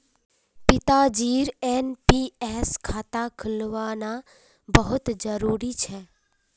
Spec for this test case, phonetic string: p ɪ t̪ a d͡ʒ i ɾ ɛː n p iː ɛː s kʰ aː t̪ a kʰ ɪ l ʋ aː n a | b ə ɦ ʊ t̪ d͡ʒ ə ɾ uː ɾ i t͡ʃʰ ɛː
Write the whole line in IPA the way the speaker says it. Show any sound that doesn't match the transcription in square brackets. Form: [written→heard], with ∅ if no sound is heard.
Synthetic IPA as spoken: p ɪ t̪ a d͡ʒ [i→iː] ɾ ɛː n p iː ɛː s kʰ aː t̪ a kʰ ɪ l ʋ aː n a | b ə ɦ ʊ t̪ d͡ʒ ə ɾ uː ɾ i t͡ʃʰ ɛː